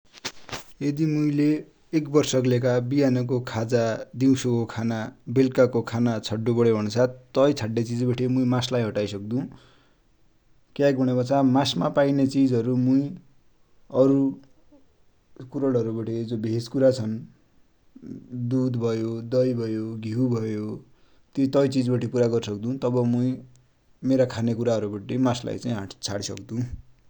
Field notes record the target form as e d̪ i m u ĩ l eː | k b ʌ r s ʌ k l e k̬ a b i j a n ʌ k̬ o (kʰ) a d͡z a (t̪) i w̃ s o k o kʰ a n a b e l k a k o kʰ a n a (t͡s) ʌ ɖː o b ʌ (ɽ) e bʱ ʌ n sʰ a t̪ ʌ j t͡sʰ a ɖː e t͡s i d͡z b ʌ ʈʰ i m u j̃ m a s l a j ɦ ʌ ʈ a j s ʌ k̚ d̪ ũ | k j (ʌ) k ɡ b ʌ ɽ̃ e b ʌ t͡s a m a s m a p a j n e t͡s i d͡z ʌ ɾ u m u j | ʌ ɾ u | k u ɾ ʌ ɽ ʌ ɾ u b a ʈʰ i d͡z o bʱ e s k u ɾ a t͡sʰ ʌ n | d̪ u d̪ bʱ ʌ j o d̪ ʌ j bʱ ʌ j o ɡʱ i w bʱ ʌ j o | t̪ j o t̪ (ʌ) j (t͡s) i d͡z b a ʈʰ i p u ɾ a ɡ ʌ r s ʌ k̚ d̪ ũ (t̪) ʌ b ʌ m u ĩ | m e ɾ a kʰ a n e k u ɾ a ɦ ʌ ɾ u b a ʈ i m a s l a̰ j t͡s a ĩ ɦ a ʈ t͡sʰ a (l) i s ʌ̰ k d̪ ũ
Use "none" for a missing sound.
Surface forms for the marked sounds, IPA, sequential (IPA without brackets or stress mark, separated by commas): kʰ, d̪, t͡sʰ, ɽ, a, ʌ, t͡s, t̪, ɽ